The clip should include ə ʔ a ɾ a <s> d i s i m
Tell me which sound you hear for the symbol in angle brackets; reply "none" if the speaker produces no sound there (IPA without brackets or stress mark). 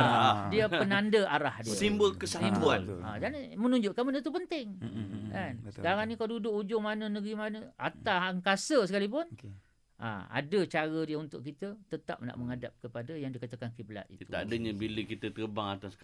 h